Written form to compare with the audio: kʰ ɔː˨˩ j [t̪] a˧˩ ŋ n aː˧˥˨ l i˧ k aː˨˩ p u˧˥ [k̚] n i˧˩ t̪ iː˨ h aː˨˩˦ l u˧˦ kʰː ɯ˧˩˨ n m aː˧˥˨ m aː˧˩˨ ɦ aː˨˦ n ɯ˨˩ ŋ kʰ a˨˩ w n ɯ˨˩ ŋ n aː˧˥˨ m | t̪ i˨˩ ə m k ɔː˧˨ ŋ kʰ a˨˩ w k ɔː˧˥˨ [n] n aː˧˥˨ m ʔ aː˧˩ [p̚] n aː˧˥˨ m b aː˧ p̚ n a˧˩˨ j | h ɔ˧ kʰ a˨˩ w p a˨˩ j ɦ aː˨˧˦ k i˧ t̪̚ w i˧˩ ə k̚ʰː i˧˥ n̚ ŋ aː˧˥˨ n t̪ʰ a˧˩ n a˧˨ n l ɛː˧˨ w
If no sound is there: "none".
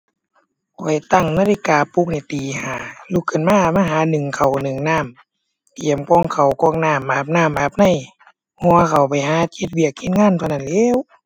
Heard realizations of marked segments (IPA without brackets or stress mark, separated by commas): t̪, k̚, ŋ, p̚